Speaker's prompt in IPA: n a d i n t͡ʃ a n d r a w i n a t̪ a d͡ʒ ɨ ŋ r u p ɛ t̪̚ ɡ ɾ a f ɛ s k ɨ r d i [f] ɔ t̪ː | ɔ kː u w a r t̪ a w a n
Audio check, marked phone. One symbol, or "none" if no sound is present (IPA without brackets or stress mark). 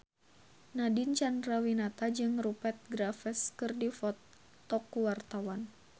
f